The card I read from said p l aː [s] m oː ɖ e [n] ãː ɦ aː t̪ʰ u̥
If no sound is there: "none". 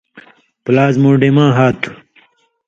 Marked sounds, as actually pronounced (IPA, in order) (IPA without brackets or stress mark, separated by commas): z, m